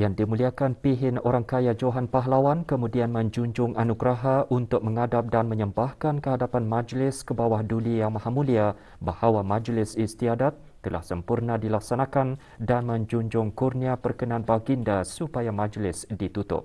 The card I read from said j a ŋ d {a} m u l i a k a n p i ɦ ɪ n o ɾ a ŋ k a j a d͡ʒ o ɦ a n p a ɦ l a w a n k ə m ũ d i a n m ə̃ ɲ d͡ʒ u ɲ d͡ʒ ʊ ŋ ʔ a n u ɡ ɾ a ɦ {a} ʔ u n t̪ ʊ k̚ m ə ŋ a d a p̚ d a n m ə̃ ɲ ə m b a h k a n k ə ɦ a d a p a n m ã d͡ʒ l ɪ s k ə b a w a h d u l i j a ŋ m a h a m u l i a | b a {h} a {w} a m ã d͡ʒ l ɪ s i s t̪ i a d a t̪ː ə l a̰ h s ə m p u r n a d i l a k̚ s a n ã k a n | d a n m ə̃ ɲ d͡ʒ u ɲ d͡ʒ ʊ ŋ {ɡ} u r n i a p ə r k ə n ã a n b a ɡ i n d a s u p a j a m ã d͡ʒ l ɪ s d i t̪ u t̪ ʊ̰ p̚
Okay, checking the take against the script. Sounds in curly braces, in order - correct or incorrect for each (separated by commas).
incorrect, correct, correct, correct, incorrect